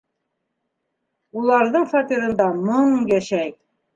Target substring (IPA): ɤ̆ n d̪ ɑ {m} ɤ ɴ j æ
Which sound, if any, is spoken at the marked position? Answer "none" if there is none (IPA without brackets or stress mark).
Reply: m